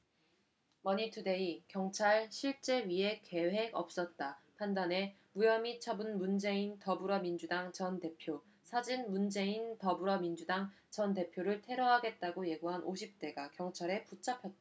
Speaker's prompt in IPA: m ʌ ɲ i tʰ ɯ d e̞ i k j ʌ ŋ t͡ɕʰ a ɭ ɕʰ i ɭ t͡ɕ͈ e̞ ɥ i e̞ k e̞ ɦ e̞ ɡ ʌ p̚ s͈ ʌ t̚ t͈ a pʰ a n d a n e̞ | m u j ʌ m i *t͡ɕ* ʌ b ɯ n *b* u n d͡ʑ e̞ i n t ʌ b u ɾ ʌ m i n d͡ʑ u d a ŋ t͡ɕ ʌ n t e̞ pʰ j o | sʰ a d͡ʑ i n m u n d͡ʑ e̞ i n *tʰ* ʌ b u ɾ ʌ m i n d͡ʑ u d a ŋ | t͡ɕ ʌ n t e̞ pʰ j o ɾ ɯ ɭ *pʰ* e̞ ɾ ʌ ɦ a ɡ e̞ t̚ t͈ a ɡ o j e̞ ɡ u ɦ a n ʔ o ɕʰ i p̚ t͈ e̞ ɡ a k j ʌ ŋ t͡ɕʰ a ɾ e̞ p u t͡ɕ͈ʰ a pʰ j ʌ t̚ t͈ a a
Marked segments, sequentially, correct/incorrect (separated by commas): incorrect, incorrect, incorrect, incorrect